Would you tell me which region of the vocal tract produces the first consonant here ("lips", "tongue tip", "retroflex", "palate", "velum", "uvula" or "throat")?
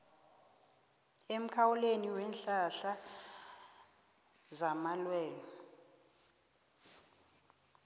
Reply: lips